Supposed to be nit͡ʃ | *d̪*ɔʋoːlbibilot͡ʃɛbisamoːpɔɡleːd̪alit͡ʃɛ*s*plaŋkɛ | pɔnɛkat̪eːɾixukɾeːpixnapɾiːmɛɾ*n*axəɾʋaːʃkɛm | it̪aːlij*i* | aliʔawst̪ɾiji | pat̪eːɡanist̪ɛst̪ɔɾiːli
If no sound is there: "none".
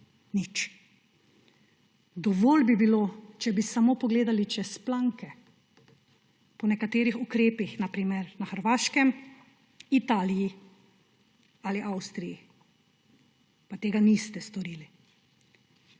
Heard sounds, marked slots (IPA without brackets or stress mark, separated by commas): d̪, s, n, i